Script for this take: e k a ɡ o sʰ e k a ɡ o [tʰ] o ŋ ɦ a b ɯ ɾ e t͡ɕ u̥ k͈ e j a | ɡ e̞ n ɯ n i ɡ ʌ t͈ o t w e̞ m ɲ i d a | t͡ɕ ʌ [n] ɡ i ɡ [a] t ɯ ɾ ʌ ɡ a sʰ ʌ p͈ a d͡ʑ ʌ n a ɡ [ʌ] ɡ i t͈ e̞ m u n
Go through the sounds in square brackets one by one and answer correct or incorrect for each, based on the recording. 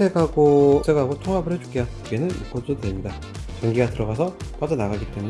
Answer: correct, incorrect: ŋ, correct, incorrect: a

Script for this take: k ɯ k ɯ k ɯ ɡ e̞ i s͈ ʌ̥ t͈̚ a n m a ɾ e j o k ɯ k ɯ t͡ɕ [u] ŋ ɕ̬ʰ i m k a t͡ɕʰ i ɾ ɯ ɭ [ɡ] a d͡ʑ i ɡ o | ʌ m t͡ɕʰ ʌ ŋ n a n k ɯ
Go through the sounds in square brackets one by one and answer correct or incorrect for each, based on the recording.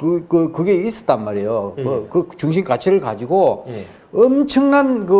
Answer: correct, incorrect: k

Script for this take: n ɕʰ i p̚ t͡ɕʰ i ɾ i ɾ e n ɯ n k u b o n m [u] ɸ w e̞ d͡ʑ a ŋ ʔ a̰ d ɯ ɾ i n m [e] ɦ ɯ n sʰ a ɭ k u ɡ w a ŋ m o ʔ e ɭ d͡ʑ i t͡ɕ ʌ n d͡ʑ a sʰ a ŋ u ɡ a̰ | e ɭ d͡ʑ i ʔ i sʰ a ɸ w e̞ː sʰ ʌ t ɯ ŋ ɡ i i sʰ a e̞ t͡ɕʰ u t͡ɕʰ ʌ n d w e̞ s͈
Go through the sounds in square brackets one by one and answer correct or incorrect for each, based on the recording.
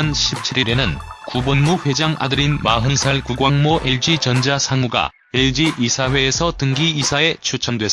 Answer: correct, incorrect: a

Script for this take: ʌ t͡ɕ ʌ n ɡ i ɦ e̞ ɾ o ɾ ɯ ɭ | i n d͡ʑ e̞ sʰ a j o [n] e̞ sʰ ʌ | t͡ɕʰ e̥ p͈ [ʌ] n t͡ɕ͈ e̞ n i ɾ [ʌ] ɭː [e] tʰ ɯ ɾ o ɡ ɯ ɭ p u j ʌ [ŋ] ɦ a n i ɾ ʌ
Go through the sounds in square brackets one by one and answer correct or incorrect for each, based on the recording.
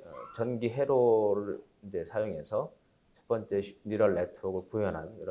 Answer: incorrect: ŋ, correct, correct, correct, incorrect: n

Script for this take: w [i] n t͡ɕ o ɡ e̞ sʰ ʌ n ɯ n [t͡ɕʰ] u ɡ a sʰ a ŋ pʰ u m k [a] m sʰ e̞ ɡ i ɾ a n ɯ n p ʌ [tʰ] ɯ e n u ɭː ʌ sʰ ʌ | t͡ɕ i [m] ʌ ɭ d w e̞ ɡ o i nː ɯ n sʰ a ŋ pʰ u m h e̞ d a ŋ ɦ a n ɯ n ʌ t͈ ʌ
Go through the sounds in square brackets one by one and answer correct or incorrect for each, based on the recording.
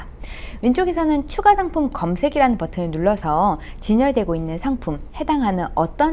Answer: correct, correct, incorrect: ʌ, correct, incorrect: ɲ

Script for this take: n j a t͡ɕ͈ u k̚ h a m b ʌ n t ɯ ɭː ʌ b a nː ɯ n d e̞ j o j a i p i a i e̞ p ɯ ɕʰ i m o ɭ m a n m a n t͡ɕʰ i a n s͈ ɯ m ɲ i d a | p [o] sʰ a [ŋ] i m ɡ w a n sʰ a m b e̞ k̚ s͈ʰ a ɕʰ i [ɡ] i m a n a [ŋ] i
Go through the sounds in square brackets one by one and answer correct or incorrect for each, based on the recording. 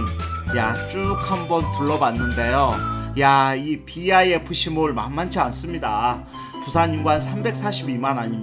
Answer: incorrect: u, incorrect: ɲ, incorrect: b, incorrect: ɲ

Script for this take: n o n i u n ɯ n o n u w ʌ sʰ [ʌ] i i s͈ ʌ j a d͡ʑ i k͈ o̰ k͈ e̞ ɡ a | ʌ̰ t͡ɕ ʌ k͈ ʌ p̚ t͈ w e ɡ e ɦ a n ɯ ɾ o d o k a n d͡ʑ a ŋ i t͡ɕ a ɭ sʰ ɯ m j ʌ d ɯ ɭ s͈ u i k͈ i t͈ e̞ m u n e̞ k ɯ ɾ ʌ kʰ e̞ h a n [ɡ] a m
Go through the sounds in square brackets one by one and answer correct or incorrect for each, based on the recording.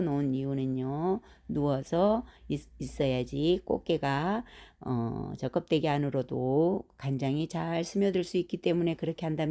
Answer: correct, incorrect: d

